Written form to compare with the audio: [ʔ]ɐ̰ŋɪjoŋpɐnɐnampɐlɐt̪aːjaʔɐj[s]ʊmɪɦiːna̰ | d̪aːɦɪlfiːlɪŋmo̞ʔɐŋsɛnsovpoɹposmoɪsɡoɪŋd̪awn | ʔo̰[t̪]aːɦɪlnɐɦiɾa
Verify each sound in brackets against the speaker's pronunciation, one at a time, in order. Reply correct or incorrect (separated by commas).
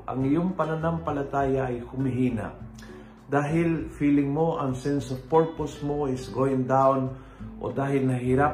correct, incorrect, incorrect